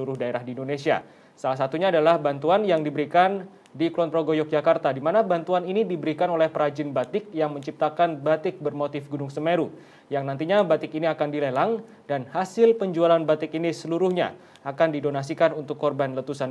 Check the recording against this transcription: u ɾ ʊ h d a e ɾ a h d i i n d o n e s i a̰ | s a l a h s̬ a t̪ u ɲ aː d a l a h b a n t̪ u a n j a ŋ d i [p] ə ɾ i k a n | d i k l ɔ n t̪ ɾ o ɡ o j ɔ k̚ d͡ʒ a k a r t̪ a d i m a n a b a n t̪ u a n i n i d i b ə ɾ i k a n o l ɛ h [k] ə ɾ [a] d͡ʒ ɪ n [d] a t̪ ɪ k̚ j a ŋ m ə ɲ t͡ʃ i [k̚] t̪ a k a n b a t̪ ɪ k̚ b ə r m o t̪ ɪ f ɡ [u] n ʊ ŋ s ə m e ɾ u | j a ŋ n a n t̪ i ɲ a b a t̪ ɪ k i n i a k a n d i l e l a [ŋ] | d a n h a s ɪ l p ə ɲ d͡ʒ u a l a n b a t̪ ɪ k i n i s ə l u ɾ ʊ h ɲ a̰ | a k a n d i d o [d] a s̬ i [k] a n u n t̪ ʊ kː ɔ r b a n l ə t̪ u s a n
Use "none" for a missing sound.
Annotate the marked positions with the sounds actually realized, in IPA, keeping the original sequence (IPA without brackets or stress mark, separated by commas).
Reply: b, p, a, b, p̚, u, ŋ, n, k